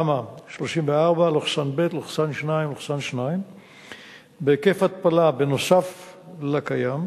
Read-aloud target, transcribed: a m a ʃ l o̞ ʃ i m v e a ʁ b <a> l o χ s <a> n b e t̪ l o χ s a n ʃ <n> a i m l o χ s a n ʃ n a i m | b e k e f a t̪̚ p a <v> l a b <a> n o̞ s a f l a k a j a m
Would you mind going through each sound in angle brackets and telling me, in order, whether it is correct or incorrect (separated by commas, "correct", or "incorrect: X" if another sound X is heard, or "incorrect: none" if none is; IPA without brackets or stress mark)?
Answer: correct, correct, correct, incorrect: none, incorrect: e